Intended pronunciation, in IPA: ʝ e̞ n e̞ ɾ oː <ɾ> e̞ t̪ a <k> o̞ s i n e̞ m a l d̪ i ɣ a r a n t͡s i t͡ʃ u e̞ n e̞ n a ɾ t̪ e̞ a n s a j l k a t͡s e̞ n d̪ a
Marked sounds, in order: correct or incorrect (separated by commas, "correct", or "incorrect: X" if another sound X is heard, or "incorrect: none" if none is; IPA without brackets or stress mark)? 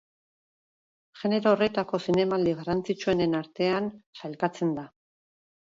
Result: incorrect: r, correct